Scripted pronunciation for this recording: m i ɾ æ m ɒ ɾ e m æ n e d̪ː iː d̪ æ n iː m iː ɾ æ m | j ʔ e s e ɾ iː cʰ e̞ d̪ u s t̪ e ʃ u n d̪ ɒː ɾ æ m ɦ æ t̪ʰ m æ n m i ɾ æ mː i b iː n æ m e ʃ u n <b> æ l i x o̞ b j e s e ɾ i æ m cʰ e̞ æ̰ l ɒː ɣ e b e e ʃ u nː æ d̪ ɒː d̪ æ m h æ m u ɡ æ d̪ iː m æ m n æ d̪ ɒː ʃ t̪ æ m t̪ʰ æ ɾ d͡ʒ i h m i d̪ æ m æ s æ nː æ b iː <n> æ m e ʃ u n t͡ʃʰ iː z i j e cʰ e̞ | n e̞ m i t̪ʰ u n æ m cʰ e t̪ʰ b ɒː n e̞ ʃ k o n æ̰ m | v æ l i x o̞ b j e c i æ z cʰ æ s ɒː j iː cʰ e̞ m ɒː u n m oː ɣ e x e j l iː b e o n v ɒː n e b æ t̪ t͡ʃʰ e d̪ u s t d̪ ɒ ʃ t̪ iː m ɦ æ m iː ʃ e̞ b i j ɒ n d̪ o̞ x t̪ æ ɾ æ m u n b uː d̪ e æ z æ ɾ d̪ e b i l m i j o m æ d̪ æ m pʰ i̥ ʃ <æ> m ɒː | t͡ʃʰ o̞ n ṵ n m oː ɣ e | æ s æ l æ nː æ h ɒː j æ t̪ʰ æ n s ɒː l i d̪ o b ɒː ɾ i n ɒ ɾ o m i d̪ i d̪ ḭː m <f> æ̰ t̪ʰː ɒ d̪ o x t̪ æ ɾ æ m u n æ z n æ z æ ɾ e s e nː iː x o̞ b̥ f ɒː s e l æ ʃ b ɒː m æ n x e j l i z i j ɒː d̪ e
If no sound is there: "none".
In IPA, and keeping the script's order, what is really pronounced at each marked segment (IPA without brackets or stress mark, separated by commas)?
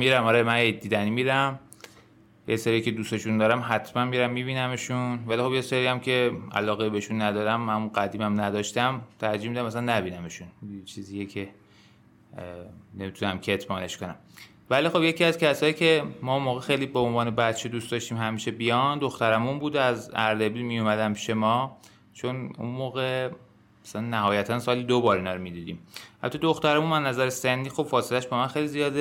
v, n, e, h